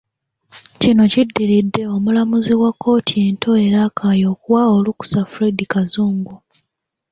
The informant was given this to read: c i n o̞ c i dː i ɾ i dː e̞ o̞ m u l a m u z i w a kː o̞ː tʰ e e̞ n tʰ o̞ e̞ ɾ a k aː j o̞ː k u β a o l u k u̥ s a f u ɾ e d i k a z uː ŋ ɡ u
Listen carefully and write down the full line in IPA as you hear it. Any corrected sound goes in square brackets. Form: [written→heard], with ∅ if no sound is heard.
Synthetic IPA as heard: c i n o̞ c i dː i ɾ i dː e̞ o̞ m u l a m u z i w a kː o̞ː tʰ [e→i] e̞ n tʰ o̞ e̞ ɾ a k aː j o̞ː k u [β→w] a o l u k u̥ s a f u ɾ e d i k a z uː ŋ ɡ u